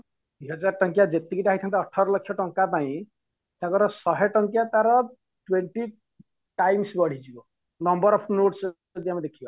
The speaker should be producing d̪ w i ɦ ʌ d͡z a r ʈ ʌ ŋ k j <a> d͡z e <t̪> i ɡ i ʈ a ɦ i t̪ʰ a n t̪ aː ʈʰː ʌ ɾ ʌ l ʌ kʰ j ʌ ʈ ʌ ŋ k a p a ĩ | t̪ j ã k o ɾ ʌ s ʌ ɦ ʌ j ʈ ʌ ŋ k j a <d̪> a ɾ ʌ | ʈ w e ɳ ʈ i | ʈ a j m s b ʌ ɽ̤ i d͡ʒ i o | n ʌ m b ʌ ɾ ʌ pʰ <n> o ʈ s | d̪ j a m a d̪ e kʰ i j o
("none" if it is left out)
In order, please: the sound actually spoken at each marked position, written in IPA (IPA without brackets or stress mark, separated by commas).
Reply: a, t̪, t̪, n